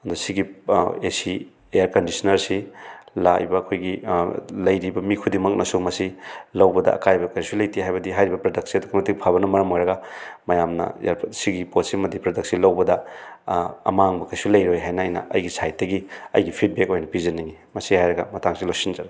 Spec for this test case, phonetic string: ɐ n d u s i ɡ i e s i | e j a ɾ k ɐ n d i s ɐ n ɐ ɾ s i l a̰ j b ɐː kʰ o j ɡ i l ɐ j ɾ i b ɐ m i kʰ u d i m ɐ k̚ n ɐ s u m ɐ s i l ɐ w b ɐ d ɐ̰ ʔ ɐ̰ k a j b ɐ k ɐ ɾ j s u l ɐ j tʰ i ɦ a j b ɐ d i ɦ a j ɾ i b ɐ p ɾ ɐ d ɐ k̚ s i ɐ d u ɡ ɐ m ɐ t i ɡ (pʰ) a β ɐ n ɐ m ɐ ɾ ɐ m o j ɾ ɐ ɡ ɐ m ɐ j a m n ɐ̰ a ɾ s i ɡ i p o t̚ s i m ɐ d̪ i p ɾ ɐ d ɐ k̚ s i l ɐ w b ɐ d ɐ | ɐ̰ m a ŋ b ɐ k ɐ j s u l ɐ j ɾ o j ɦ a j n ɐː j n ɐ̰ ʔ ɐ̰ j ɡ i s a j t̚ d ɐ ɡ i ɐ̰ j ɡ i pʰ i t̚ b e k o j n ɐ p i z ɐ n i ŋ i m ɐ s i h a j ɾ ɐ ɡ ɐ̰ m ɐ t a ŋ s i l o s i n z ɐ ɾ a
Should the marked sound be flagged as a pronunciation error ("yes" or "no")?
no